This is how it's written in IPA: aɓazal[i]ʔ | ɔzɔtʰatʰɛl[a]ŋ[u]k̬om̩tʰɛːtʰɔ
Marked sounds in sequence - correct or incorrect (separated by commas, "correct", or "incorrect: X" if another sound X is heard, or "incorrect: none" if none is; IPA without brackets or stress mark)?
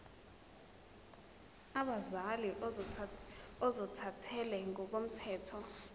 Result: correct, incorrect: ɛ, incorrect: ɔ